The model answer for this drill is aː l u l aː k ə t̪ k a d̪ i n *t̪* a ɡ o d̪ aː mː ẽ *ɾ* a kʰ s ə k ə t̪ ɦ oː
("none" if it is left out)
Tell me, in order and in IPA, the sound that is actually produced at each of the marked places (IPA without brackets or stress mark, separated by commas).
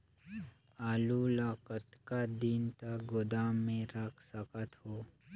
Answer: t̪, ɾ